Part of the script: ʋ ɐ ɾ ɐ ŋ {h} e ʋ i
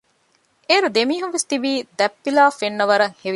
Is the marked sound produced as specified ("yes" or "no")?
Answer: yes